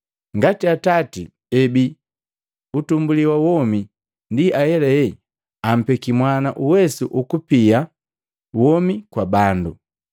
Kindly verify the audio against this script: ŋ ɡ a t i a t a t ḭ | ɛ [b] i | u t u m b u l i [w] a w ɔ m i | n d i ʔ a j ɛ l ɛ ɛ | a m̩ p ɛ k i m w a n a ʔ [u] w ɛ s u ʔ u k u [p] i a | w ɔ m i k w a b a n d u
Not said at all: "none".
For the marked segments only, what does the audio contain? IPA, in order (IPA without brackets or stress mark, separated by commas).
b, w, u, p